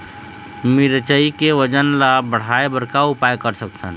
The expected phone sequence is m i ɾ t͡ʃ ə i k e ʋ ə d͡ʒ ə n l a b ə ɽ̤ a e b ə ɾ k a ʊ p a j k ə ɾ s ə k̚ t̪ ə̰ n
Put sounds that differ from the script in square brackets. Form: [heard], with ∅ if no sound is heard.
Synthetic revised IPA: m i ɾ t͡ʃ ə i k e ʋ ə d͡ʒ ə n l a b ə ɽ̤ a e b ə ɾ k a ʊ p a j k ə ɾ s ə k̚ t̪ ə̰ n